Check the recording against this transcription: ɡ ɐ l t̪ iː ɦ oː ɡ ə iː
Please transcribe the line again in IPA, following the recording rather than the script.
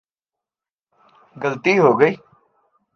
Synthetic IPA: ɡ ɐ l t̪ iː ɦ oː ɡ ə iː